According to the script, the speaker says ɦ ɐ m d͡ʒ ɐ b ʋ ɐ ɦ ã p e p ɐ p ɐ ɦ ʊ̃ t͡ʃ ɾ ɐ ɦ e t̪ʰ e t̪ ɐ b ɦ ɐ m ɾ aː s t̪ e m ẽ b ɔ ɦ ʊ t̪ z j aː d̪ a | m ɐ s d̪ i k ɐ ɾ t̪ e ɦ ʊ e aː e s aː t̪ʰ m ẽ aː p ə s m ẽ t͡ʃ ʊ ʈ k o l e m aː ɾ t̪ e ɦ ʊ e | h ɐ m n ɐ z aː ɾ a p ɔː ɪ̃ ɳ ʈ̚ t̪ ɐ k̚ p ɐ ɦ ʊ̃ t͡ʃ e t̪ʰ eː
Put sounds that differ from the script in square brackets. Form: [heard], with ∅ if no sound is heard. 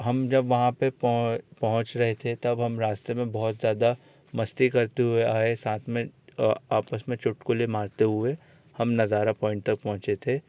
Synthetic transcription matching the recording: ɦ ɐ m d͡ʒ ɐ b ʋ ɐ ɦ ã p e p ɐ p ɐ ɦ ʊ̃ t͡ʃ ɾ ɐ ɦ e t̪ʰ e t̪ ɐ b ɦ ɐ m ɾ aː s t̪ e m ẽ b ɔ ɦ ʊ t̪ z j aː d̪ a | m ɐ s [t̪] i k ɐ ɾ t̪ e ɦ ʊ e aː e s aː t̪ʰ m ẽ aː p ə s m ẽ t͡ʃ ʊ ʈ k o l e m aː ɾ t̪ e ɦ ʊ e | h ɐ m n ɐ z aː ɾ a p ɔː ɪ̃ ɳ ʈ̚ t̪ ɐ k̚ p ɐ ɦ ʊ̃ t͡ʃ e t̪ʰ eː